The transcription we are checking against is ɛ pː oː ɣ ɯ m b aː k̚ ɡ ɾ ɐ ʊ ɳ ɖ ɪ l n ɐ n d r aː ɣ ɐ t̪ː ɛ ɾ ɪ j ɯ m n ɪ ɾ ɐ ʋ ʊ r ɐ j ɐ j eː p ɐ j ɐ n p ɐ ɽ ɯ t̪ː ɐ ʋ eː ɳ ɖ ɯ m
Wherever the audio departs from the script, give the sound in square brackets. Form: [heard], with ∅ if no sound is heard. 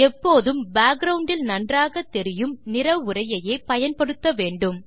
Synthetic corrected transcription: ɛ pː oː [ð] ɯ m b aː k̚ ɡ ɾ ɐ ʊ ɳ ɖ ɪ l n ɐ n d r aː ɣ ɐ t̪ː ɛ ɾ ɪ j ɯ m n ɪ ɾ ɐ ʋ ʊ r ɐ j ɐ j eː p ɐ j ɐ n p ɐ ɽ ɯ t̪ː ɐ ʋ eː ɳ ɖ ɯ m